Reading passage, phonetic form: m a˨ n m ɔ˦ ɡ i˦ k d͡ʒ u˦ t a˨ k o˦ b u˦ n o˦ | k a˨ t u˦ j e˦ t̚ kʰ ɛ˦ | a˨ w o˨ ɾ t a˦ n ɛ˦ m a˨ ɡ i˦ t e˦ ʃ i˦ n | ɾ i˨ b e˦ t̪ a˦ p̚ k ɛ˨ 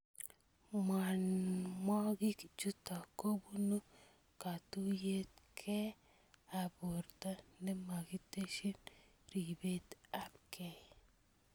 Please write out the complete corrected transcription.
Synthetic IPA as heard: m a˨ n m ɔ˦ ɡ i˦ k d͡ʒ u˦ t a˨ k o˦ b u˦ n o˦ | k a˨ t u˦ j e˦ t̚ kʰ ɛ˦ | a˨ b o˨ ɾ t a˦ n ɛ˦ m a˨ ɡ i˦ t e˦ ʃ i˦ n | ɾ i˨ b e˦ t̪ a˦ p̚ k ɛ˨